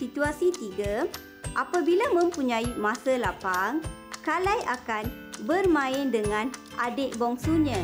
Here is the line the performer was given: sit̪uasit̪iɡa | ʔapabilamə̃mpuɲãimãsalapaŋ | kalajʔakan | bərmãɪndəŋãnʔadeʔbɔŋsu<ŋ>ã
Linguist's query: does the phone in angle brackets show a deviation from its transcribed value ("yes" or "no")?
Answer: yes